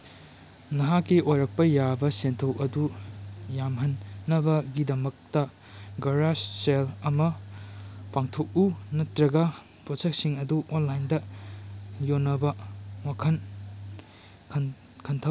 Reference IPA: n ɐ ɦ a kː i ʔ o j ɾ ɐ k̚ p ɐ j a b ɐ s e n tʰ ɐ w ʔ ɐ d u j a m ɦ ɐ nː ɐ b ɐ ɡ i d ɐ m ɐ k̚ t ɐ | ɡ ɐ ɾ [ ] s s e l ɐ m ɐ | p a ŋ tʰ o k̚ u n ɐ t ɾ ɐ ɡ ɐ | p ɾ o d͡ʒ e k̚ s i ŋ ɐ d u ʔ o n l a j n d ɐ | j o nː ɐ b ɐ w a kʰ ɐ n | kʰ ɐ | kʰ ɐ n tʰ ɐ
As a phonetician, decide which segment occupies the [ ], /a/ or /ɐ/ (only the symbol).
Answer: a